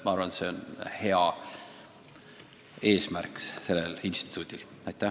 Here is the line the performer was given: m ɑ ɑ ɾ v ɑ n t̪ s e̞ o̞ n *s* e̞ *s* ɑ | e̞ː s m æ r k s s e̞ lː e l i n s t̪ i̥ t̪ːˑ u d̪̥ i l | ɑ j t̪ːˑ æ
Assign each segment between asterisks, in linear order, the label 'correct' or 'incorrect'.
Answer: incorrect, incorrect

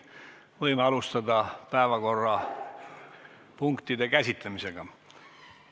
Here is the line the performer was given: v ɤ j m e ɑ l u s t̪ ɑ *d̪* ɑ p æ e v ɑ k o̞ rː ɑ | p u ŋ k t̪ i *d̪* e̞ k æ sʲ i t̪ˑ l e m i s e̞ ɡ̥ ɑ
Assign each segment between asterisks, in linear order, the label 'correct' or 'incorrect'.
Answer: correct, correct

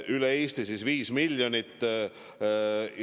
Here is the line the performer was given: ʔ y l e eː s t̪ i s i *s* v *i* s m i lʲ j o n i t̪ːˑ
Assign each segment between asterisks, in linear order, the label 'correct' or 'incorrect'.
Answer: correct, incorrect

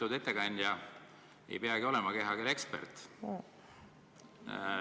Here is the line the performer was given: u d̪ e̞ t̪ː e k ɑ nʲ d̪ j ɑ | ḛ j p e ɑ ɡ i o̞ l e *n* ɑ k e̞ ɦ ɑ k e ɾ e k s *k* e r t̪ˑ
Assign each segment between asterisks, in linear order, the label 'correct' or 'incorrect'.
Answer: incorrect, incorrect

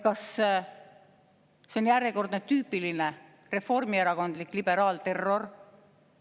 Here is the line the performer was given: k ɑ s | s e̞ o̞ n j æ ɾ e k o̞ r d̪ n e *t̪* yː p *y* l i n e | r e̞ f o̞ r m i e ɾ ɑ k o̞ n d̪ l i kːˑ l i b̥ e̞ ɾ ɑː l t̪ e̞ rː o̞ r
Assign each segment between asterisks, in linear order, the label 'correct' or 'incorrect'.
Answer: correct, incorrect

